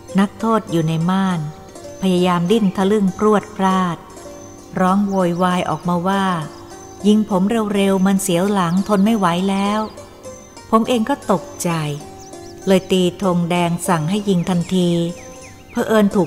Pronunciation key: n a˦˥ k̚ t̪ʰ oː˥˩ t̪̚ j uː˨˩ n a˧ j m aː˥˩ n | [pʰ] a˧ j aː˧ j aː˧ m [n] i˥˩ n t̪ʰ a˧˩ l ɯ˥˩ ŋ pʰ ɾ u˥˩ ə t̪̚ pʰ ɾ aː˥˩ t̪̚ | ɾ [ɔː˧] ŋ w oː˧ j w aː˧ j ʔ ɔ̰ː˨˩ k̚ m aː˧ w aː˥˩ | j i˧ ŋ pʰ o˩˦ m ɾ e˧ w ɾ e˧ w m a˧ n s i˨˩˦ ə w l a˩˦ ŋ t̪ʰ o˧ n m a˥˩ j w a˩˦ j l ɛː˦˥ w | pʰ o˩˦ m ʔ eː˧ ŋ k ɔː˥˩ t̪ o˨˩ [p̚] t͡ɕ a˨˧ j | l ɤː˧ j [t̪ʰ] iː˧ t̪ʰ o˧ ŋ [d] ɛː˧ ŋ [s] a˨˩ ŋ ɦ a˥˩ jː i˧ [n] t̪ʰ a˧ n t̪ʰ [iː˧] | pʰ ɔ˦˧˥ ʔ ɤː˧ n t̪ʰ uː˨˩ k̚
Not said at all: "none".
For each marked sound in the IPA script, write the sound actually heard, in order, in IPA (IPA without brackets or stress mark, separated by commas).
pʰ, d, ɔː˦˥, k̚, t̪, d, s, ŋ, iː˧